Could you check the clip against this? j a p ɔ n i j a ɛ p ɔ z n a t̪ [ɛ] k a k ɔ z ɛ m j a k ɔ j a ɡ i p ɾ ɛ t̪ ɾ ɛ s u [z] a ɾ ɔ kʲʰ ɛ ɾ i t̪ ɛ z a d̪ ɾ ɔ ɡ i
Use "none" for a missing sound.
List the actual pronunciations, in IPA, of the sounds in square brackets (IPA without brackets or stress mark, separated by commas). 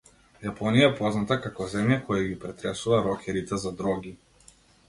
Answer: a, v